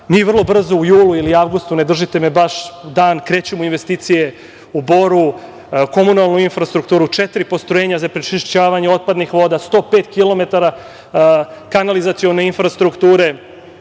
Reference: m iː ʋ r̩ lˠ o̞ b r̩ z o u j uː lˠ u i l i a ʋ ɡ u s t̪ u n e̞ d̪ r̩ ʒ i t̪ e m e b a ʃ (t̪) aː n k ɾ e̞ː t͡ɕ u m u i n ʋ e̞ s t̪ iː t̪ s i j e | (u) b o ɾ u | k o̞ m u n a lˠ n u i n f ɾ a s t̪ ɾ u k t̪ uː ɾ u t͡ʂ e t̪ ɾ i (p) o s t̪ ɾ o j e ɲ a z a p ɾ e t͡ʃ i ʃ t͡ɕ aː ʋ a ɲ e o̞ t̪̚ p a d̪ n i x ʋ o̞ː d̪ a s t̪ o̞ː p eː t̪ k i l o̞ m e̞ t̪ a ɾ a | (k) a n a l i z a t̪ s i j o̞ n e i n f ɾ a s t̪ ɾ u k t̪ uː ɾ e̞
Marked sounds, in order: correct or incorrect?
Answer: incorrect: d̪, correct, correct, correct

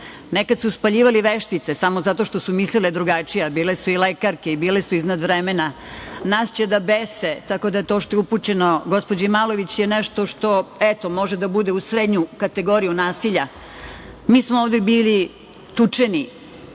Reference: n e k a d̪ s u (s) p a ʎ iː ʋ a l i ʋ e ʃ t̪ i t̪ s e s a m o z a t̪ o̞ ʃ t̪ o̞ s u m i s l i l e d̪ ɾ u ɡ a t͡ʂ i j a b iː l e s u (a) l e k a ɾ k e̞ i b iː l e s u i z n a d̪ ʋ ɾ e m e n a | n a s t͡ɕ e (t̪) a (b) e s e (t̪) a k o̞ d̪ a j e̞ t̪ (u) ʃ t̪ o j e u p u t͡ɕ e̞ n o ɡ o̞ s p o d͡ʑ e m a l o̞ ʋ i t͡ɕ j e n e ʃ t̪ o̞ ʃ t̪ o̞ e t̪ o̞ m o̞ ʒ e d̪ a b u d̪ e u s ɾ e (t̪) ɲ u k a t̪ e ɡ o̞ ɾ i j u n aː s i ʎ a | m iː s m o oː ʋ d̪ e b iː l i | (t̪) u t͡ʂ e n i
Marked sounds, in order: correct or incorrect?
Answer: correct, incorrect: i, incorrect: d̪, correct, correct, incorrect: o, incorrect: d̪, correct

